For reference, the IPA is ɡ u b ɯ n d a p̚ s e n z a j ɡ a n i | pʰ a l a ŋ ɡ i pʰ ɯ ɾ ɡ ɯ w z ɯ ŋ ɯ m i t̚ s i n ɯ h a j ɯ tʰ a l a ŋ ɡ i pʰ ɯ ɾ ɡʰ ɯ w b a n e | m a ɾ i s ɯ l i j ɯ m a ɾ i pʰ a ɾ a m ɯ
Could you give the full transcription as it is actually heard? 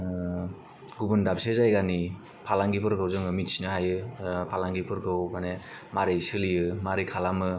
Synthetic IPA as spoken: ɡ u b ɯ n d a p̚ s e z a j ɡ a n i | pʰ a l a ŋ ɡ i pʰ ɯ ɾ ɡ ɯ w z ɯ ŋ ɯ m i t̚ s i n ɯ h a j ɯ pʰ a l a ŋ ɡ i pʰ ɯ ɾ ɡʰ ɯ w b a n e | m a ɾ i s ɯ l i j ɯ m a ɾ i kʰ a l a m ɯ

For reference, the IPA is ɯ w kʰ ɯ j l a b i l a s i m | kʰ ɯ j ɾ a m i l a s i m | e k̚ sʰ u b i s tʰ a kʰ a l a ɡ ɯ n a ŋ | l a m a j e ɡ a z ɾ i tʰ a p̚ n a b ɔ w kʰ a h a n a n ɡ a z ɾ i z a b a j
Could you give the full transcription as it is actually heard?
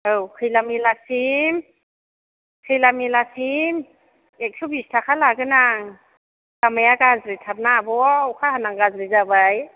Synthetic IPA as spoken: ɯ w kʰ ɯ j l a m i l a s i m | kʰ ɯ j l a m i l a s i m | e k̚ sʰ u b i s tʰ a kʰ a l a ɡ ɯ n a ŋ | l a m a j a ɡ a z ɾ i tʰ a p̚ n a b ɔ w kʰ a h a n a ŋ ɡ a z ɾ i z a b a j

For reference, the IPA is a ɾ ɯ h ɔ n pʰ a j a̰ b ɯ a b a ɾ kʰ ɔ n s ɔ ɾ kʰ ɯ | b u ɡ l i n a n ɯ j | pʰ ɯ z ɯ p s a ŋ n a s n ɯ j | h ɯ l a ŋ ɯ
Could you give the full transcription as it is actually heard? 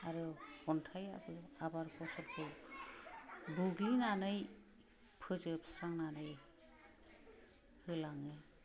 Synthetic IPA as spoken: a ɾ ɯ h ɔ n tʰ a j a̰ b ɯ a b a ɾ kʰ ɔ s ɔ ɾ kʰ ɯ | b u ɡ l i n a n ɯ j | pʰ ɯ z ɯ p s a ŋ n a n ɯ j | h ɯ l a ŋ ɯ

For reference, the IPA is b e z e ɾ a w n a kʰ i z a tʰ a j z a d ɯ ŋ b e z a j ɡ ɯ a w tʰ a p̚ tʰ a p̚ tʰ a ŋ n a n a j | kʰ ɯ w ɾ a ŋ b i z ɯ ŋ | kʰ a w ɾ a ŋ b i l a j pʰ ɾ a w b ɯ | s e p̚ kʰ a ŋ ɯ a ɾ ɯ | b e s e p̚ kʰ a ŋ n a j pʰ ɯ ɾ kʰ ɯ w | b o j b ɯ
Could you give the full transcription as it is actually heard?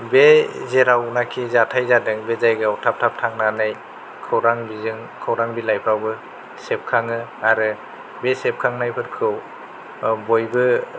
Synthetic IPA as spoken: b e z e ɾ a w n a kʰ i z a tʰ a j z a d ɯ ŋ b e z a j ɡ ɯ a w tʰ a p̚ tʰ a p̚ tʰ a ŋ n a n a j | kʰ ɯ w ɾ a ŋ b i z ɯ ŋ | kʰ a w ɾ a ŋ b i l a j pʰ ɾ a w b ɯ | s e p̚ kʰ a ŋ ɯ a ɾ ɯ | b e s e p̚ kʰ a ŋ n a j pʰ ɯ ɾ kʰ ɯ w | b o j b ɯ

